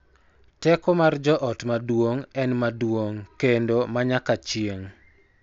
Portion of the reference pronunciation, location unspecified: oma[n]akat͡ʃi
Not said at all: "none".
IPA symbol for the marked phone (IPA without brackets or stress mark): ɲ